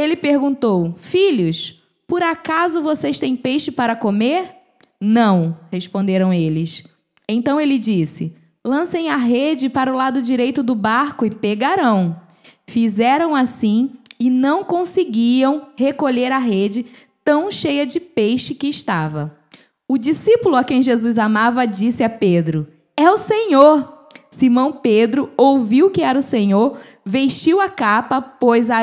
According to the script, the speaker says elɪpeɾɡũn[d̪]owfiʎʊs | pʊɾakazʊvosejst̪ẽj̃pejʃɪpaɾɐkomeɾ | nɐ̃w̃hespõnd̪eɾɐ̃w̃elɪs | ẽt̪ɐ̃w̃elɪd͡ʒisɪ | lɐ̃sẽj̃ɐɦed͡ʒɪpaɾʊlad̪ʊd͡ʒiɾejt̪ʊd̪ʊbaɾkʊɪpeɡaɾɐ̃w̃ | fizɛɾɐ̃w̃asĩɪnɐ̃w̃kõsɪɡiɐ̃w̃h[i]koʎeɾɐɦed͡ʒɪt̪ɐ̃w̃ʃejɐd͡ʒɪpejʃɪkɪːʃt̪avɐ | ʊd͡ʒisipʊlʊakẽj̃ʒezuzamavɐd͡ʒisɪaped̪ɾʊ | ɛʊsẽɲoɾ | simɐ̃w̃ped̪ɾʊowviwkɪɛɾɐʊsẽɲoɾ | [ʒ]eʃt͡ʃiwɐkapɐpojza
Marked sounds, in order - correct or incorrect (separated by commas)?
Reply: incorrect, incorrect, incorrect